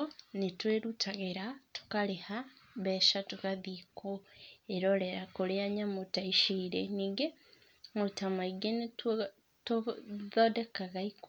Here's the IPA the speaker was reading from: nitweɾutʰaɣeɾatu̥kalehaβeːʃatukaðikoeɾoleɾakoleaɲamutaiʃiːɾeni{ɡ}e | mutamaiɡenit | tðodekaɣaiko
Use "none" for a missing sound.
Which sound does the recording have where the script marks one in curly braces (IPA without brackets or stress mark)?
ɡ